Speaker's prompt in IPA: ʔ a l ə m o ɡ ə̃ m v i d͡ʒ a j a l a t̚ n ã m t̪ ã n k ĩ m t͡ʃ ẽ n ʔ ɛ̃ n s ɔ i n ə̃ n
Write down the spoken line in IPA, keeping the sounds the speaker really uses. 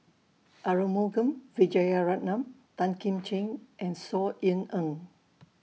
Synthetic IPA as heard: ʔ a ɹ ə m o ɡ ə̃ m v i d͡ʒ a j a ɹ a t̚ n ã m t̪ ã n k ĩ m t͡ʃ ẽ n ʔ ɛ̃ n s ɔ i n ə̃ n